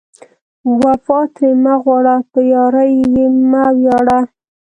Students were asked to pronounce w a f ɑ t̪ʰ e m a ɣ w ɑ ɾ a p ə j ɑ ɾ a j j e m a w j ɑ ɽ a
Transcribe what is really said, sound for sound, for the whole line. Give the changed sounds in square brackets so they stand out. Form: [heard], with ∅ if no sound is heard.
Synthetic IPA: w a f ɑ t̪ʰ e m a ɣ w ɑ [ɽ] a p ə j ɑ ɾ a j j e m a w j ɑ ɽ a

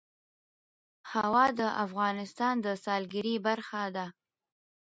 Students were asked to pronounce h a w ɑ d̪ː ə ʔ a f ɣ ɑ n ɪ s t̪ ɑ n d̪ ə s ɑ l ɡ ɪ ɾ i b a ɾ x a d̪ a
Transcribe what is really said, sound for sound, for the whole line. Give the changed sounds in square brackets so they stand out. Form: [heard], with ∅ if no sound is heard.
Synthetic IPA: h a w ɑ [d̪] ə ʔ a f ɣ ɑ n ɪ s t̪ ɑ n d̪ ə s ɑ l ɡ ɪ ɾ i b a ɾ x a d̪ a

